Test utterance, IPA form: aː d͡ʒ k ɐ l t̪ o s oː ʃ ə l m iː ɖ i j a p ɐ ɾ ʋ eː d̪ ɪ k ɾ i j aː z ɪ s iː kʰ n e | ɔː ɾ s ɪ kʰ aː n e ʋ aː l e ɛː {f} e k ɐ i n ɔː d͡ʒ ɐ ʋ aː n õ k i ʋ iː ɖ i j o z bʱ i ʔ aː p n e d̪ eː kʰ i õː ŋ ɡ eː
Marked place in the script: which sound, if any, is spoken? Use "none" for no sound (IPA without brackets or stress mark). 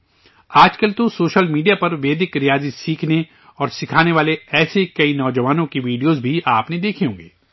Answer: s